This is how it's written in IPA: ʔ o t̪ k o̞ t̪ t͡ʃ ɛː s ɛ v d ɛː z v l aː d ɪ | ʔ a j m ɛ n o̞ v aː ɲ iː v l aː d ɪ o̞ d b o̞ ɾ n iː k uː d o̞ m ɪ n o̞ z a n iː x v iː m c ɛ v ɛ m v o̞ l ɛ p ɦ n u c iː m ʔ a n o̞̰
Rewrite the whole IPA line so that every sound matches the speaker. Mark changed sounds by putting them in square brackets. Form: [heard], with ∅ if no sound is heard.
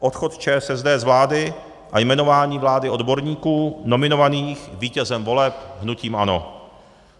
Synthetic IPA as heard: ʔ o t̪ [x] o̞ t̪ t͡ʃ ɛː s ɛ [z] d ɛː z v l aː d ɪ | ʔ a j m ɛ n o̞ v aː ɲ iː v l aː d ɪ o̞ d b o̞ ɾ [ɲ] iː k uː [n] o̞ m ɪ n o̞ [v] a n iː x v iː [∅] c ɛ [z] ɛ m v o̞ l ɛ p ɦ n u c iː m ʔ a n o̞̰